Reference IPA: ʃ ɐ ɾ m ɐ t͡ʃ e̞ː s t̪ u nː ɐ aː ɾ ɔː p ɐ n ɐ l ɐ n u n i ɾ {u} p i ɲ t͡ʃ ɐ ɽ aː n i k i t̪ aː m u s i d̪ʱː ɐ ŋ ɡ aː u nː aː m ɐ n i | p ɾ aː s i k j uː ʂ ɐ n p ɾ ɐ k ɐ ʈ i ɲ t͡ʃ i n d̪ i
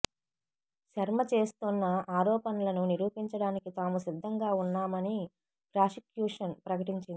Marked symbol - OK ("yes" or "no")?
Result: no